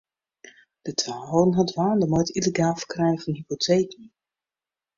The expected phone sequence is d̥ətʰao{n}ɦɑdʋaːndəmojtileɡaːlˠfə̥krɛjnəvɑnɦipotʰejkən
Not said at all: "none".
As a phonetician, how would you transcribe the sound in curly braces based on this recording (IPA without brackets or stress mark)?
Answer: n